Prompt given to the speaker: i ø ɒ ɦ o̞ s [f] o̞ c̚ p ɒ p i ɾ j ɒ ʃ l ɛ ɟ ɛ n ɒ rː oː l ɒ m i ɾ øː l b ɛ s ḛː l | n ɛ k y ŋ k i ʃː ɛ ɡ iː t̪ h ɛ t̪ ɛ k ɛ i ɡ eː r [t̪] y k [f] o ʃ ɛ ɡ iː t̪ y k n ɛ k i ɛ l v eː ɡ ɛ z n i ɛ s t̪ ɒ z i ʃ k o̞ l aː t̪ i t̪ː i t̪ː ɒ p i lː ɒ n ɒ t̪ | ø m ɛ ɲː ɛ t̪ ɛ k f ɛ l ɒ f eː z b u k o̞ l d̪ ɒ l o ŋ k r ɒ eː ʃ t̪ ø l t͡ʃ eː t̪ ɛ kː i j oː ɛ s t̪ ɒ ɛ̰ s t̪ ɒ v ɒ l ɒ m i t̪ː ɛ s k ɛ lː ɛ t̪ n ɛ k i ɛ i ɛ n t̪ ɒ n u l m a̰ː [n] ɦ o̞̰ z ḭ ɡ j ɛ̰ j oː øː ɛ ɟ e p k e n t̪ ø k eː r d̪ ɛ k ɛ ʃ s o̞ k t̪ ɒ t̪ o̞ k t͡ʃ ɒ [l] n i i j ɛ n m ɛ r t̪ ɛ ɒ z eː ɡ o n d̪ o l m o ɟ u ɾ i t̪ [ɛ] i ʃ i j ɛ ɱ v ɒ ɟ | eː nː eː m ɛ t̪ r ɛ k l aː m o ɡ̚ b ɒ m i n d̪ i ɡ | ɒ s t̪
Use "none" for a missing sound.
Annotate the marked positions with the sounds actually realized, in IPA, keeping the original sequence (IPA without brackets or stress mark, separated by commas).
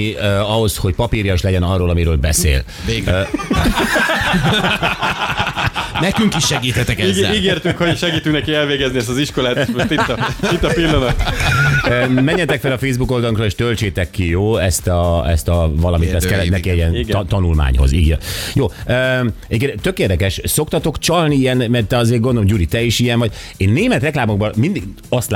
h, t̪, h, ɲ, l, ɛ